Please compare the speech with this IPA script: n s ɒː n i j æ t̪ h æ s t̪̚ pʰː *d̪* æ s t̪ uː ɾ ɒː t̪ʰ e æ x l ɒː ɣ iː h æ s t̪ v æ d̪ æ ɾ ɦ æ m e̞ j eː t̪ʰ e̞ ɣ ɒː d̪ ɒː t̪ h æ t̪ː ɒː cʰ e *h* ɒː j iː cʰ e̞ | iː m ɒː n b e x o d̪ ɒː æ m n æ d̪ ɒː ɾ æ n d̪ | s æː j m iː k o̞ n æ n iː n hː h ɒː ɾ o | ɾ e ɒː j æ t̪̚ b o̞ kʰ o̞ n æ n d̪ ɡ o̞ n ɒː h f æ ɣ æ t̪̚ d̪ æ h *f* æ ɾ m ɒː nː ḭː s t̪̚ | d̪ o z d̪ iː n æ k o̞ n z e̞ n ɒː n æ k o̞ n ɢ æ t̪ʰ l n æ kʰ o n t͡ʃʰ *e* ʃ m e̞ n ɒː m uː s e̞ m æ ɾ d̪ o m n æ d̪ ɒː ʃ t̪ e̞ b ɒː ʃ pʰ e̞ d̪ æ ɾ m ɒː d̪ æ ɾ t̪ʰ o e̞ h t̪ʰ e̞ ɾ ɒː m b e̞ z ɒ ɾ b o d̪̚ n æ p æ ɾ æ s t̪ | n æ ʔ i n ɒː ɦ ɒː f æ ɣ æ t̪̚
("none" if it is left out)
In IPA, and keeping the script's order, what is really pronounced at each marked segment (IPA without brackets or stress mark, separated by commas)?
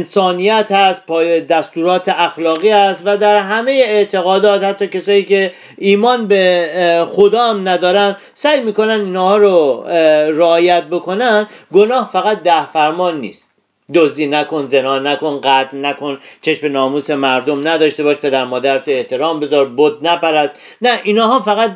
d̪, s, f, e